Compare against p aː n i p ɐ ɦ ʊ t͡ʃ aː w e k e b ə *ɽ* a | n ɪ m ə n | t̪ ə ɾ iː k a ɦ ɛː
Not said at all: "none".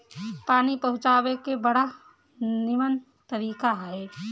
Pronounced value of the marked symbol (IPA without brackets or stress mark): ɽ